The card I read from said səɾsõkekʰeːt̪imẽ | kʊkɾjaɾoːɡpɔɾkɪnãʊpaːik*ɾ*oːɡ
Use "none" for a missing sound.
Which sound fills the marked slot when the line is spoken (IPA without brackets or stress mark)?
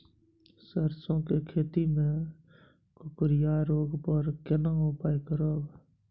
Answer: ɾ